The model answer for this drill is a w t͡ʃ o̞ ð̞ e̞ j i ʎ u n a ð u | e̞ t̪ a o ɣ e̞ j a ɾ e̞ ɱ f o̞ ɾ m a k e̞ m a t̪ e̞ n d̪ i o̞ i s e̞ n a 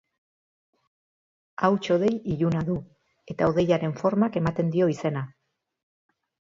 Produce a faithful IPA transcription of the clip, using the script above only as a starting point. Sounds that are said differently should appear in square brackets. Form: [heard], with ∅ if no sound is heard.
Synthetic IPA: a w t͡ʃ o̞ ð̞ e̞ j i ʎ u n a ð u | e̞ t̪ a o [ð] e̞ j a ɾ e̞ ɱ f o̞ ɾ m a k e̞ m a t̪ e̞ n d̪ i o̞ i s e̞ n a